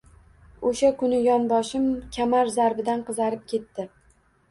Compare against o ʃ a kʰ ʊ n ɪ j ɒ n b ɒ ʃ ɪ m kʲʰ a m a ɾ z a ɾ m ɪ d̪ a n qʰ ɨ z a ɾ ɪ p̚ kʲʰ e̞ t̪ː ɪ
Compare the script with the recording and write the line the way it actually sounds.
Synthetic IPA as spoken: o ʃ a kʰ ʊ n ɪ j ɒ n b ɒ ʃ ɪ m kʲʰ a m a ɾ z a ɾ b ɪ d̪ a n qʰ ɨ z a ɾ ɪ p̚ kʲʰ e̞ t̪ː ɪ